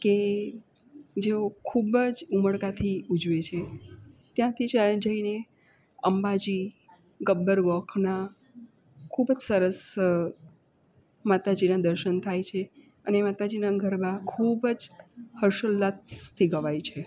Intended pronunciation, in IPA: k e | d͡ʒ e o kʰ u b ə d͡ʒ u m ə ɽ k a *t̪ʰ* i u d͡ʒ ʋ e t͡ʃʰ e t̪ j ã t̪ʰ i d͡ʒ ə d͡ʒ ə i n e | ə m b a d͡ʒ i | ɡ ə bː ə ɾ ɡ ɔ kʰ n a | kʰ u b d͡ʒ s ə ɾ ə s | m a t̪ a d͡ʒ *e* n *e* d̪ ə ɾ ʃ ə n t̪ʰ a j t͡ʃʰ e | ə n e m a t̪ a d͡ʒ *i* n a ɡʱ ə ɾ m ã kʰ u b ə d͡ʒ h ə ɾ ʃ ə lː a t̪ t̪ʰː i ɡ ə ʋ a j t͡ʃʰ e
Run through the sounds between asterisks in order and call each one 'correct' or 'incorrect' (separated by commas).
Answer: correct, incorrect, incorrect, correct